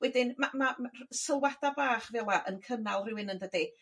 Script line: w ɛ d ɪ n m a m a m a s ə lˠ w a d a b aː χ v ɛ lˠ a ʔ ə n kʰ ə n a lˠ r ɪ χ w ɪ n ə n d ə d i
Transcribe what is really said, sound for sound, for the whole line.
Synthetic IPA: w ɛ d ɪ n m a m a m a s ə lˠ w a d a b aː χ v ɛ lˠ a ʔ ə n kʰ ə n a lˠ r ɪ w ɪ n ə n d ə d i